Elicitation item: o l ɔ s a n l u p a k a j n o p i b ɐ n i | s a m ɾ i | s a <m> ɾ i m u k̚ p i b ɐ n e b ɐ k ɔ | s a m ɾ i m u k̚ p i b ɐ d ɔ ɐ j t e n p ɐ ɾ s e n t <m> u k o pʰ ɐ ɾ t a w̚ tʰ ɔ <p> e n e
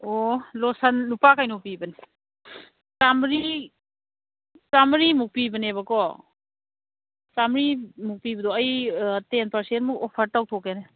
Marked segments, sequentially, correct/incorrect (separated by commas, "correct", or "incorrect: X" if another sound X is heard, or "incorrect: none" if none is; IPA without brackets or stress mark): correct, correct, incorrect: k